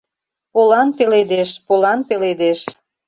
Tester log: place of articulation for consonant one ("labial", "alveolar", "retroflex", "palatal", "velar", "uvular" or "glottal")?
labial